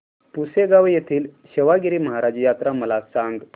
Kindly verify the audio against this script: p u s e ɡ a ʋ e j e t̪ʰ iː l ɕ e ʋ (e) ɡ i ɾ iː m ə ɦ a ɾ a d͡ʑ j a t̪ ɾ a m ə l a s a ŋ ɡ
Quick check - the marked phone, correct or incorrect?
incorrect